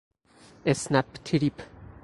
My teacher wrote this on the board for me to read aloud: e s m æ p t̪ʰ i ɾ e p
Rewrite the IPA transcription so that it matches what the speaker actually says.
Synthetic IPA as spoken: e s n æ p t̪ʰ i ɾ i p